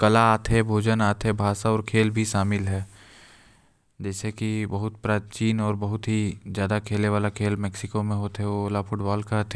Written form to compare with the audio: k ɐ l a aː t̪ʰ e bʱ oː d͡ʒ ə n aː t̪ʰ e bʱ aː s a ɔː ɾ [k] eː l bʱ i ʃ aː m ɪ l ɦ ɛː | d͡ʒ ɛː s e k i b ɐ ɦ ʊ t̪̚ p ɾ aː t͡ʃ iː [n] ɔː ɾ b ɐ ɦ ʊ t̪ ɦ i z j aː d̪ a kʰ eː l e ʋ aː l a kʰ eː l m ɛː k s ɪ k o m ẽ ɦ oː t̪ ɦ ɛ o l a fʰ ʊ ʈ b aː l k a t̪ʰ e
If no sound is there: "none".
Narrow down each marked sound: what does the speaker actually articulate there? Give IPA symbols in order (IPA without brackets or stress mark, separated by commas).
kʰ, n